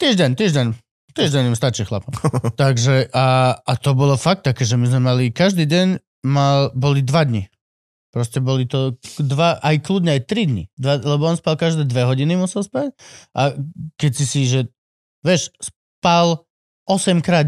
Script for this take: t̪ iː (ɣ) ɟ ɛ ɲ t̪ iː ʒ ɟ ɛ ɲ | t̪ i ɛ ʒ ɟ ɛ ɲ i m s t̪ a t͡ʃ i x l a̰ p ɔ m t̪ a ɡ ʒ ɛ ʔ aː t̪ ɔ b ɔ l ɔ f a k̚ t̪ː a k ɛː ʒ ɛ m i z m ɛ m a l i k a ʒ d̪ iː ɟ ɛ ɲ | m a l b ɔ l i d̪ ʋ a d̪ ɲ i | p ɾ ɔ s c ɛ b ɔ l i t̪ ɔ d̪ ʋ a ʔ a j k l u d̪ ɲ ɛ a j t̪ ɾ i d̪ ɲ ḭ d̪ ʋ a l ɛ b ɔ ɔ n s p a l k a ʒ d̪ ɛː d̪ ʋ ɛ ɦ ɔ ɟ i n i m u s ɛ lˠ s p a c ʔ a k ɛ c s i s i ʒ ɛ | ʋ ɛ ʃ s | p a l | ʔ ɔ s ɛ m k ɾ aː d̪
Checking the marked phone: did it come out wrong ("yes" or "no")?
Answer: yes